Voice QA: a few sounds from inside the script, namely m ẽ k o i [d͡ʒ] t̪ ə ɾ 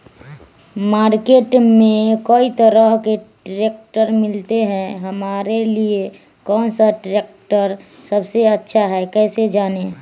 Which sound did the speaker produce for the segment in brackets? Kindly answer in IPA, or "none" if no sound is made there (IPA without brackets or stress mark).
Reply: none